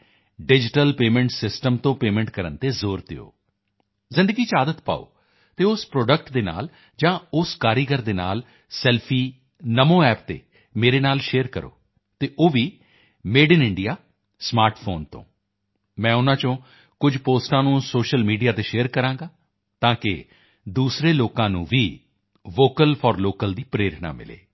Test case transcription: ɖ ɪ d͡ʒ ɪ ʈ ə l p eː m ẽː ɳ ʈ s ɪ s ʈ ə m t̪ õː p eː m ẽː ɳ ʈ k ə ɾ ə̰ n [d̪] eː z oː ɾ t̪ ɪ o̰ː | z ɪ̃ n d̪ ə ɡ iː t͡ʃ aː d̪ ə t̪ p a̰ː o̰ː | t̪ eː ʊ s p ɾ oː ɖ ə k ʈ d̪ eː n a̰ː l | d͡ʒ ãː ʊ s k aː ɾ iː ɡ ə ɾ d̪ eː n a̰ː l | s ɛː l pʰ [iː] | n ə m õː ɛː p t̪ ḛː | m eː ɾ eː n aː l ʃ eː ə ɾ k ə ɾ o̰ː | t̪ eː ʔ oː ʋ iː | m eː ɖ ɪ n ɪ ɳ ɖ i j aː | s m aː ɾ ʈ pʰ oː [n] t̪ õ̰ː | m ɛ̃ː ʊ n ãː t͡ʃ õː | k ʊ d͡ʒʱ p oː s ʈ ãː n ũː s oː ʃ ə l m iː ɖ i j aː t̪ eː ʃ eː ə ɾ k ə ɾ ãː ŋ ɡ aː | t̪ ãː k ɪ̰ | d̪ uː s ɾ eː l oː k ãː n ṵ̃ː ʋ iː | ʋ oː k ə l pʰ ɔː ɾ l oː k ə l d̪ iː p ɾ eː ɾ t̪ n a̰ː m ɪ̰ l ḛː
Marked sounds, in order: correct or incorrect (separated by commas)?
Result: incorrect, correct, correct